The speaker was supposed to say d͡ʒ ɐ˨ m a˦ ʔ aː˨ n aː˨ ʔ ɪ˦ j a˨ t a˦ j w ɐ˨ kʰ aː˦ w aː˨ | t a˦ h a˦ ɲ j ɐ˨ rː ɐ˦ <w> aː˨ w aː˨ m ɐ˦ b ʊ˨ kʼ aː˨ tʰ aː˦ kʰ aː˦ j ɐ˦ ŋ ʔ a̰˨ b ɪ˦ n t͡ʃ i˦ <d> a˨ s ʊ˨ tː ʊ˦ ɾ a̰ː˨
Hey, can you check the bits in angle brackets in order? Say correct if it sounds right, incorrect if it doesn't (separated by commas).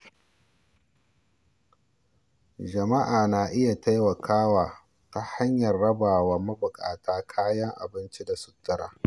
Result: incorrect, correct